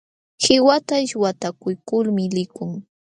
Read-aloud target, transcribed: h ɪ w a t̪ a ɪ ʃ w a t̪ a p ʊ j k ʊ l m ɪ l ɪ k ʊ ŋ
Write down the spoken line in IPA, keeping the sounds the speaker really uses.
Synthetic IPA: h ɪ w a t̪ a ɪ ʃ w a t̪ a k ʊ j k ʊ l m ɪ l ɪ k ʊ ŋ